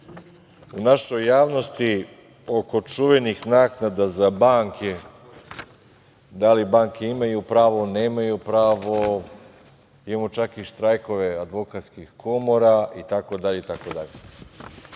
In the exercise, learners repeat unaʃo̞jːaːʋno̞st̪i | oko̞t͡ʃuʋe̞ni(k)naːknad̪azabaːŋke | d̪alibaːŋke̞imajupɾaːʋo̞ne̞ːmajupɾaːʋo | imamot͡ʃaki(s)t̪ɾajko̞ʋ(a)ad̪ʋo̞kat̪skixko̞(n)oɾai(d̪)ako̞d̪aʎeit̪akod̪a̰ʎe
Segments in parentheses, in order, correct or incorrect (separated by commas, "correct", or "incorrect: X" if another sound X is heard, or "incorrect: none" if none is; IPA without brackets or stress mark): incorrect: x, incorrect: ʃ, incorrect: e, incorrect: m, incorrect: t̪